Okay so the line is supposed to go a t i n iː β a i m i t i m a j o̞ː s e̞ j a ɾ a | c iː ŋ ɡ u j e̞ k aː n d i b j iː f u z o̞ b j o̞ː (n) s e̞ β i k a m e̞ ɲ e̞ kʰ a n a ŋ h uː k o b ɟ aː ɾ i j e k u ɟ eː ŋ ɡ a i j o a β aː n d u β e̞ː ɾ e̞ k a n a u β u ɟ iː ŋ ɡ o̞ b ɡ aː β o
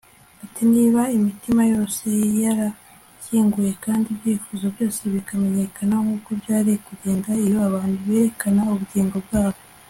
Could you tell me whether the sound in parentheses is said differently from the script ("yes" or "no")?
yes